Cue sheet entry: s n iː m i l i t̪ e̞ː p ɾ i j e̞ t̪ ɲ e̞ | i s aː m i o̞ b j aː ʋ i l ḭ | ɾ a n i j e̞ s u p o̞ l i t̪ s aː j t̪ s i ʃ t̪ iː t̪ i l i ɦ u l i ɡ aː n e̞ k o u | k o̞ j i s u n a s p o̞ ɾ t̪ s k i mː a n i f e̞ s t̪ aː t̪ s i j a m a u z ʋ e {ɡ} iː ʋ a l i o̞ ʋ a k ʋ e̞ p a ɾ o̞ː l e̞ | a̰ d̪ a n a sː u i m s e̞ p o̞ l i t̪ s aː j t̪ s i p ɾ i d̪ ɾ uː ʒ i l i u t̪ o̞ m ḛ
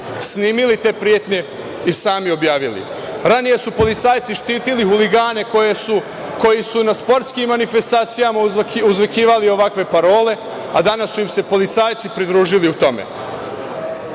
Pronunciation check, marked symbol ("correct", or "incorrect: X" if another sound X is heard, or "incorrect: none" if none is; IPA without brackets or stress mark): incorrect: k